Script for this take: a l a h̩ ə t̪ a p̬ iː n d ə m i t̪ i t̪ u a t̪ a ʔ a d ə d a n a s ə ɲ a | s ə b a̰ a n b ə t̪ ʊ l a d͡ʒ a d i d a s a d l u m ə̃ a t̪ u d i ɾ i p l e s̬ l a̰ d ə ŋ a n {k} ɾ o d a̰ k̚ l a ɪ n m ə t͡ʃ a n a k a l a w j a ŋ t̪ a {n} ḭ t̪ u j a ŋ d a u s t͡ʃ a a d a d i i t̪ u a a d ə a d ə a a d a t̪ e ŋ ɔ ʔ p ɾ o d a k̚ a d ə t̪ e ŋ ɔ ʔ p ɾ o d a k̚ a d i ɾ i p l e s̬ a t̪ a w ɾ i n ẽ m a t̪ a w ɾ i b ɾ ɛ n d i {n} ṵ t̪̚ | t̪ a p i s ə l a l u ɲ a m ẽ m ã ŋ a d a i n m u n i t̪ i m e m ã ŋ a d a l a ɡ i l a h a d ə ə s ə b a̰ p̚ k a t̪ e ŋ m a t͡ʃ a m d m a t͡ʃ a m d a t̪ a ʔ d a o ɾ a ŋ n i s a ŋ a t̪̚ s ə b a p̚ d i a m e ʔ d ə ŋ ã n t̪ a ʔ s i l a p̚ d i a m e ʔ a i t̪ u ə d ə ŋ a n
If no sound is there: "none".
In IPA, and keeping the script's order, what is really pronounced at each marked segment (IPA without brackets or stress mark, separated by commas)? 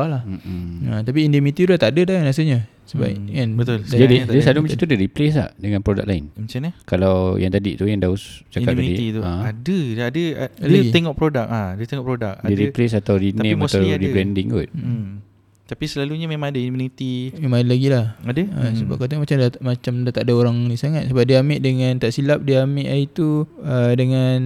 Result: p, d, ŋ